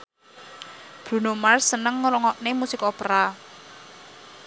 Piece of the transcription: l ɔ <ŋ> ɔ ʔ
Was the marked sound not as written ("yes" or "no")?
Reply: no